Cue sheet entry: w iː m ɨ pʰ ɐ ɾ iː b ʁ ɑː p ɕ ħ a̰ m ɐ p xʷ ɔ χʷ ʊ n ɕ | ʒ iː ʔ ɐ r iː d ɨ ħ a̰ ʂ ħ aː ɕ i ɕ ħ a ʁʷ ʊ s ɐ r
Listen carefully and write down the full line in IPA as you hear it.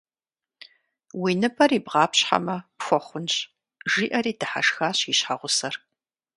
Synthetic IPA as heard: w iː n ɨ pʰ ɐ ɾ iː b ʁ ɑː p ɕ ħ a̰ m ɐ p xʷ ɔ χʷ ʊ n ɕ | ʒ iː ʔ ɐ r iː d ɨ ħ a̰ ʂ x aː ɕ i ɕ ħ a ʁʷ ʊ s ɐ r